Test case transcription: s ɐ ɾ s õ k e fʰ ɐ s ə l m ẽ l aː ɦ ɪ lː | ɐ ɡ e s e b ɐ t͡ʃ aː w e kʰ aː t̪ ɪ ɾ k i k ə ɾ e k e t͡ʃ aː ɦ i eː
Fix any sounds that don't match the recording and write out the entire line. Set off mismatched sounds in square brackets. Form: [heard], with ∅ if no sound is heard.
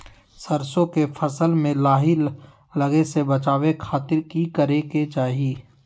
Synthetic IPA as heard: s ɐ ɾ s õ k e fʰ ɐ s ə l m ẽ l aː ɦ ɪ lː | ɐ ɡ e s e b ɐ t͡ʃ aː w e kʰ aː t̪ ɪ ɾ k i k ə ɾ e k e t͡ʃ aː ɦ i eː